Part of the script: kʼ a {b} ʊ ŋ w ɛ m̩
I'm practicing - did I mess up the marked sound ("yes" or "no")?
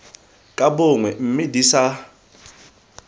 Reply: no